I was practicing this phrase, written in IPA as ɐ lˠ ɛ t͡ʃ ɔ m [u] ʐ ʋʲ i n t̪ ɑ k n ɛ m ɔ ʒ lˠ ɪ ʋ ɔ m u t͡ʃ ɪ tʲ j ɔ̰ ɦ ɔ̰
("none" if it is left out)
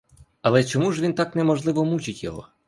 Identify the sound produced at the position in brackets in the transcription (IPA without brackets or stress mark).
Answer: u